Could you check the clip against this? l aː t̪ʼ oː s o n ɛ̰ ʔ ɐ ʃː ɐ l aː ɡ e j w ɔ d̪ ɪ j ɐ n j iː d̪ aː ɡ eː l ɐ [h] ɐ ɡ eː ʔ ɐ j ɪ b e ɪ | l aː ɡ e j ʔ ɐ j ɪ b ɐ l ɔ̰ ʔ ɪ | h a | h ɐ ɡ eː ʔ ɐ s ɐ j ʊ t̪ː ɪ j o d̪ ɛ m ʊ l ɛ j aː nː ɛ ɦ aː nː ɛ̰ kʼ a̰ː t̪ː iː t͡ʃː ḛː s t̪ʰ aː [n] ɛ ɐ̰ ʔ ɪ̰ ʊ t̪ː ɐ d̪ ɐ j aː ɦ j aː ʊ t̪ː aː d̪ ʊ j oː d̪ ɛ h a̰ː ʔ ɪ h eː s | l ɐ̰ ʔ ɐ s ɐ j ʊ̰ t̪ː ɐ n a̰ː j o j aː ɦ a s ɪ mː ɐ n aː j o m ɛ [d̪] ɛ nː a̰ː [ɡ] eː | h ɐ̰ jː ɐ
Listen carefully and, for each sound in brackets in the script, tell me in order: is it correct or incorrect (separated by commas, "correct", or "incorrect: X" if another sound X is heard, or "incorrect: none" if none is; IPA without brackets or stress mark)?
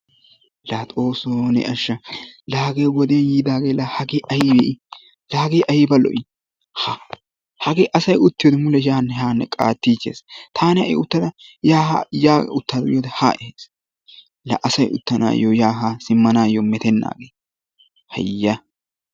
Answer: correct, correct, incorrect: t̪, correct